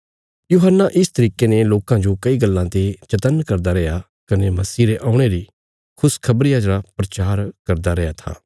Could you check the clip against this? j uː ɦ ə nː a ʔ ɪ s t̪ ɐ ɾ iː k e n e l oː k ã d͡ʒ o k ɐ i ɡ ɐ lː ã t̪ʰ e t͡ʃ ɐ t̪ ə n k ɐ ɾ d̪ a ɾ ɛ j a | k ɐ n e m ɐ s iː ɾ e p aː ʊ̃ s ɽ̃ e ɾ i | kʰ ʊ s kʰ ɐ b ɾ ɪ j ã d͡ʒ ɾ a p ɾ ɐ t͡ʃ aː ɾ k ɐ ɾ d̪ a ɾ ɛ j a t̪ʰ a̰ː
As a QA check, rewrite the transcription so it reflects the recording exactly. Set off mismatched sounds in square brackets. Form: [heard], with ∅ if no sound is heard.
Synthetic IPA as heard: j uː ɦ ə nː a ʔ ɪ s t̪ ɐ ɾ iː k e n e l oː k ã d͡ʒ o k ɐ i ɡ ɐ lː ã [t̪] e t͡ʃ ɐ t̪ ə n k ɐ ɾ d̪ a ɾ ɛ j a | k ɐ n e m ɐ s iː ɾ e [ʔ] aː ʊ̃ [∅] ɽ̃ e ɾ i | kʰ ʊ s kʰ ɐ b ɾ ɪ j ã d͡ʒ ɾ a p ɾ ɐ t͡ʃ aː ɾ k ɐ ɾ d̪ a ɾ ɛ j a t̪ʰ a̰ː